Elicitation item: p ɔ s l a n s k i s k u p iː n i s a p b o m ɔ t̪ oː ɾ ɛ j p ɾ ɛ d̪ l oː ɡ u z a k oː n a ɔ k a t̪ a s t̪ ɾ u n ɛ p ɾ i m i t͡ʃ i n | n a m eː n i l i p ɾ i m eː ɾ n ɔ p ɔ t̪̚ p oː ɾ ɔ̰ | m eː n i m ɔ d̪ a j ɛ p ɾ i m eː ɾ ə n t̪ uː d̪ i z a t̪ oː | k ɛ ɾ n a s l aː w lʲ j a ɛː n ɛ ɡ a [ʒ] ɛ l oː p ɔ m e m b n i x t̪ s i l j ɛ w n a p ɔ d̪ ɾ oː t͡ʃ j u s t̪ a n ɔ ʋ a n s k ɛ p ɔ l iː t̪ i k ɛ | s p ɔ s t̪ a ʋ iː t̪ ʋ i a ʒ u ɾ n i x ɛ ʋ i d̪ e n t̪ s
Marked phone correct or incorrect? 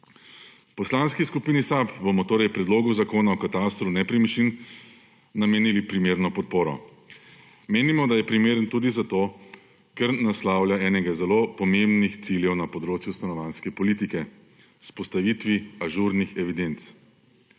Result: incorrect